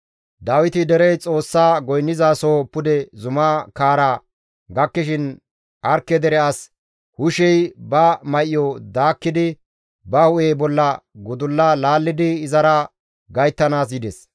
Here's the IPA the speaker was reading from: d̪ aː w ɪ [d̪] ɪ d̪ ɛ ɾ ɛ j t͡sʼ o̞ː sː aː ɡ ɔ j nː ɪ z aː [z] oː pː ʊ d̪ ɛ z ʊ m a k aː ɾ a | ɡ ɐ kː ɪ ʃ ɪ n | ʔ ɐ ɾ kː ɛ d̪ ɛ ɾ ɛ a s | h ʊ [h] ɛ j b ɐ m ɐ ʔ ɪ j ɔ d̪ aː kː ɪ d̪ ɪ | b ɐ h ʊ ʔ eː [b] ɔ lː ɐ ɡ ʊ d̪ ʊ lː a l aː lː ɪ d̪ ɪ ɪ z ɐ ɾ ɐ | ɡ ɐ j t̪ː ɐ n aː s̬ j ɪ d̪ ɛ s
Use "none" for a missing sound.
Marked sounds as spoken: t̪, s, ʃ, b

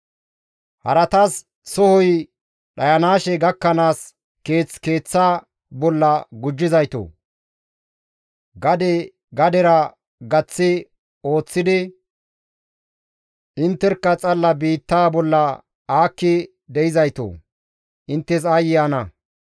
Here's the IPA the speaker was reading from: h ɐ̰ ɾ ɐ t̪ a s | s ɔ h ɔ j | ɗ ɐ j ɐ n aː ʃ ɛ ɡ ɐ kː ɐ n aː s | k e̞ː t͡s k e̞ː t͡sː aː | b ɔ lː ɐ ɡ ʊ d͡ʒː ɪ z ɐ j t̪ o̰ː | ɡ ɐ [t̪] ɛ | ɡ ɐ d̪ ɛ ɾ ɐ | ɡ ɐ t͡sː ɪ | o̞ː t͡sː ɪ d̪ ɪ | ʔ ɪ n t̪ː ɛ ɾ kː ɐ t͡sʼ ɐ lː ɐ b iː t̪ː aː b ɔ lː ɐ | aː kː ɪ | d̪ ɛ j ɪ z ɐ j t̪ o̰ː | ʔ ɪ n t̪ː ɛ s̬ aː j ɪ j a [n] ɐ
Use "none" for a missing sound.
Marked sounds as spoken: d̪, n

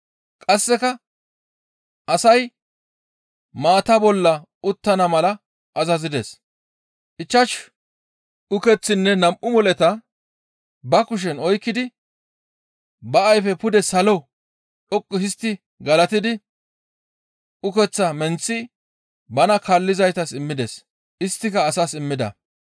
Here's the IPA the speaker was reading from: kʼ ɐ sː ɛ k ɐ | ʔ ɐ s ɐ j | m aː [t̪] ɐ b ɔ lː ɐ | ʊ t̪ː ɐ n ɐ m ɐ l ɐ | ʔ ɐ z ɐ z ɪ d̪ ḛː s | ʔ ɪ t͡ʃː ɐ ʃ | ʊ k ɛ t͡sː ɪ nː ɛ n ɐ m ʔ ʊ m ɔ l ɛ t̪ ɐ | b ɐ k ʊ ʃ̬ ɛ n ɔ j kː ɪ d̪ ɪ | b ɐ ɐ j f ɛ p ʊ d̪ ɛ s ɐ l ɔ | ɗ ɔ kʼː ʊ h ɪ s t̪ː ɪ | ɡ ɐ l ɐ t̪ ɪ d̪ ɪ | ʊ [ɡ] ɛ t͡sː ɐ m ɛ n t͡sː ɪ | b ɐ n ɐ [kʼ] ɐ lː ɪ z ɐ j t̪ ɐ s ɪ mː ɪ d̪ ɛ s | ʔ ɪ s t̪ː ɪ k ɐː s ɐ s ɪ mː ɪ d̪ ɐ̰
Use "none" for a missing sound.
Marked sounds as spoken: t̪, k, k

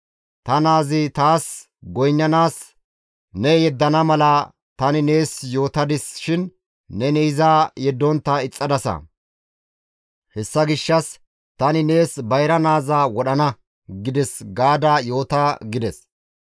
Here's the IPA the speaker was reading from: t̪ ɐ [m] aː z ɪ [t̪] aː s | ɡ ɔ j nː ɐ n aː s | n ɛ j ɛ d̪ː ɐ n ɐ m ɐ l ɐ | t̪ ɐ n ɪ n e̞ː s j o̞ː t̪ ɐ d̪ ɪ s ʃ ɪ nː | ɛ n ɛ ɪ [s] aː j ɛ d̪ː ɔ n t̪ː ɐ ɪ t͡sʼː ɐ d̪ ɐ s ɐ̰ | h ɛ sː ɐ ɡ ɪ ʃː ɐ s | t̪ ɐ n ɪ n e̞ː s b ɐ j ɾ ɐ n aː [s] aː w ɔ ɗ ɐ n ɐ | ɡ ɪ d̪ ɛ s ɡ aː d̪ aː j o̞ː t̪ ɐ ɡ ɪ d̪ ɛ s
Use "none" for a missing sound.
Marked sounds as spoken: n, t̪, z, z

